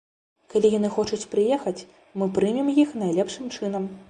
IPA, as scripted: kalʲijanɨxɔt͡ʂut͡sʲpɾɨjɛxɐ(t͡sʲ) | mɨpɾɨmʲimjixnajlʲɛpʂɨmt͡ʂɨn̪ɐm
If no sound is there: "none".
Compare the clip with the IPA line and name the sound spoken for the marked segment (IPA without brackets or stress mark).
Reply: t͡sʲ